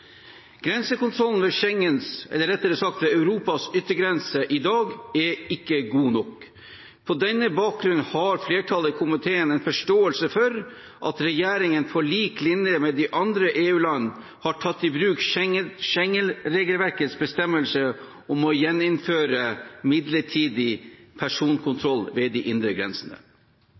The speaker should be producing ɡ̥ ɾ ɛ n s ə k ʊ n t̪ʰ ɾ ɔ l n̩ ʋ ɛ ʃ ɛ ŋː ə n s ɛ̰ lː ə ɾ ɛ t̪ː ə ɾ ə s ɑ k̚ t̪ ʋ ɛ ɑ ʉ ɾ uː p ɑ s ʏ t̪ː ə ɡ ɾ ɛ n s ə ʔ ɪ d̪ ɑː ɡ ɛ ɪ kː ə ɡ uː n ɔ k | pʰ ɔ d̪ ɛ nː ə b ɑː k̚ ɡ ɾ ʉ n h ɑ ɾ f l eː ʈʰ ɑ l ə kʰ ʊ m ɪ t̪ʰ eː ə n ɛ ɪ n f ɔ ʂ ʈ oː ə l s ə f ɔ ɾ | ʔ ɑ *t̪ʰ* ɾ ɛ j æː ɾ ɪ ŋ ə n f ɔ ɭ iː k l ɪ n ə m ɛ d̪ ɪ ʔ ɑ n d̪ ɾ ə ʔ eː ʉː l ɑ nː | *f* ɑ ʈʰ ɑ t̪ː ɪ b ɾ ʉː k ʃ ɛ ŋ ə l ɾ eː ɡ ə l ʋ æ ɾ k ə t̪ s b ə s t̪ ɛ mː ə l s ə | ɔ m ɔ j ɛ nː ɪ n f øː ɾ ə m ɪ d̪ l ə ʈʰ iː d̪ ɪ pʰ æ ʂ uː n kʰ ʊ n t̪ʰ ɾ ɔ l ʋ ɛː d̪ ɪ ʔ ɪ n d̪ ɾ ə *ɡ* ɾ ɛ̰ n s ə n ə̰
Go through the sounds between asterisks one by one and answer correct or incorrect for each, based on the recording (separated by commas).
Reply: incorrect, incorrect, correct